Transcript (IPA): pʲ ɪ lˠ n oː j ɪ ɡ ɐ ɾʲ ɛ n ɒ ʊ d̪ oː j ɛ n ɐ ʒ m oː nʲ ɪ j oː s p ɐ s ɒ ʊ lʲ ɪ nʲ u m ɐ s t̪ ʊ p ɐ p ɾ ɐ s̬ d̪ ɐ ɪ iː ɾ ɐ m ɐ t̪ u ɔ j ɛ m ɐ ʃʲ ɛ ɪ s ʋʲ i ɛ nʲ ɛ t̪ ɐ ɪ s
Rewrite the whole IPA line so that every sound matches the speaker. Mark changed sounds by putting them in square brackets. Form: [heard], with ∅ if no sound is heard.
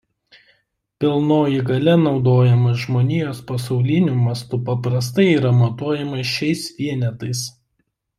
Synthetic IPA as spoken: pʲ ɪ lˠ n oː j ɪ ɡ ɐ [lʲ] ɛ n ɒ ʊ d̪ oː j ɛ [m] ɐ ʒ m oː nʲ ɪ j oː s p ɐ s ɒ ʊ lʲ ɪ nʲ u m ɐ s t̪ ʊ p ɐ p ɾ ɐ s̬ [t̪] ɐ ɪ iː ɾ ɐ m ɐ t̪ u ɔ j ɛ m ɐ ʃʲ ɛ ɪ s ʋʲ i ɛ nʲ ɛ t̪ ɐ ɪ s